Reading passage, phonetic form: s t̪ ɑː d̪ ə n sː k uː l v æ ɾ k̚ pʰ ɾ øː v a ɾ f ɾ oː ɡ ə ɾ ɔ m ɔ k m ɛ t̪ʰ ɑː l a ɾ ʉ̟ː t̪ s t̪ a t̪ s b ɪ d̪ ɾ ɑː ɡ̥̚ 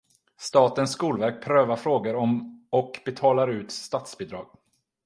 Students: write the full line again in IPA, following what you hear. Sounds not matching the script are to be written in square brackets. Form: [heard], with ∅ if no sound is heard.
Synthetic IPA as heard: s t̪ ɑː [t̪] ə n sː k uː l v æ ɾ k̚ pʰ ɾ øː v a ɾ f ɾ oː ɡ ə ɾ ɔ m ɔ k [b] ɛ t̪ʰ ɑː l a ɾ ʉ̟ː t̪ s t̪ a t̪ s b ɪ d̪ ɾ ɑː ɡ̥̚